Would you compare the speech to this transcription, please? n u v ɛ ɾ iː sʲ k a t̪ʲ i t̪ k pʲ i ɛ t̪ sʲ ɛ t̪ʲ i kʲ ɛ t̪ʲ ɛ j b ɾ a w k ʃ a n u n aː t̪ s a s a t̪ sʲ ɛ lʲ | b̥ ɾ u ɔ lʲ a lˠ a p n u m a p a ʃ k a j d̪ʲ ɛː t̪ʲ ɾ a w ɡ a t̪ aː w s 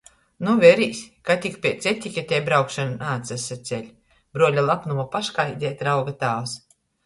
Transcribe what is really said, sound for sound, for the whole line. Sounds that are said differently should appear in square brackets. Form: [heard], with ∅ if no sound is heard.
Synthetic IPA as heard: n u v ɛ ɾ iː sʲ k a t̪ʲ i [∅] k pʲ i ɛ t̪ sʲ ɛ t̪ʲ i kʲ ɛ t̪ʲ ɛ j b ɾ a w k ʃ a n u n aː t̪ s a s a t̪ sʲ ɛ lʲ | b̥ ɾ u ɔ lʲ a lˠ a p n u m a p a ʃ k a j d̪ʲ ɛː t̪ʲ ɾ a w ɡ a t̪ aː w s